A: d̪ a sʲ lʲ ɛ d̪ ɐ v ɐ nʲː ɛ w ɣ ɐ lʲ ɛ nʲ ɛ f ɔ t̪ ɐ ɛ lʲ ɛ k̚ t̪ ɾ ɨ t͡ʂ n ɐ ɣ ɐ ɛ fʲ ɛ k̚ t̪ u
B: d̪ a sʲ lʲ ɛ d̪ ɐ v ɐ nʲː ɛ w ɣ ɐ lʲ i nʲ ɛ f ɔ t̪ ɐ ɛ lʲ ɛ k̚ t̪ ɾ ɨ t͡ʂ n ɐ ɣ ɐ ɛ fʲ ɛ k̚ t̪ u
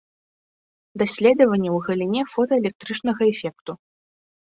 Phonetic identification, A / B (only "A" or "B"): B